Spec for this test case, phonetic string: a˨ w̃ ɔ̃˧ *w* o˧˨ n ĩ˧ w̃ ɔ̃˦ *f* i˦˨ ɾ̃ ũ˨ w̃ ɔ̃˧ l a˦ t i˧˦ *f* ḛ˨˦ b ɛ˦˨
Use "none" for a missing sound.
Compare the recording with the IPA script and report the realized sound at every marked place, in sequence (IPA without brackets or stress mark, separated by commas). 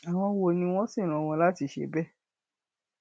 w, s, ʃ